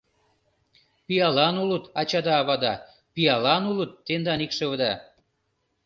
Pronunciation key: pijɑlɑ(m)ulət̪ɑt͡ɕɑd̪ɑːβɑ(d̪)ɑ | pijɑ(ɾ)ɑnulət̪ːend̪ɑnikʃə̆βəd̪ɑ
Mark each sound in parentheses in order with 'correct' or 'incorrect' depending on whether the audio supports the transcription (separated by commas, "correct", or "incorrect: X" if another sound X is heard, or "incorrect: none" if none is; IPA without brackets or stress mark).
incorrect: n, correct, incorrect: l